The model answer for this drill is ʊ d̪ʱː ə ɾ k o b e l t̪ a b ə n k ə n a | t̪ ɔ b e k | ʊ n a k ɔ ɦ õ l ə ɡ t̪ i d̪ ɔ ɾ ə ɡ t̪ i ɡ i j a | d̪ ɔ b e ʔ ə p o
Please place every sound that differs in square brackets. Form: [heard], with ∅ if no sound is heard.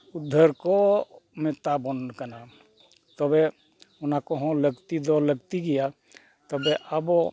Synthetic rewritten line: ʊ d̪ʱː ə ɾ k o [m] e [∅] t̪ a b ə n k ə n a | t̪ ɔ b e [∅] | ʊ n a k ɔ ɦ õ l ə ɡ t̪ i d̪ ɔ [l] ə ɡ t̪ i ɡ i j a | [t̪] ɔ b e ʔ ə [b] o